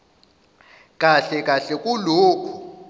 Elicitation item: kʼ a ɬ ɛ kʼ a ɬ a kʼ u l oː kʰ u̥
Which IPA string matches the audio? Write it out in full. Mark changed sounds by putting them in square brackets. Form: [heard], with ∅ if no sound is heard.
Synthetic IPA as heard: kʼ a ɬ ɛ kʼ a ɬ [ɛ] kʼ u l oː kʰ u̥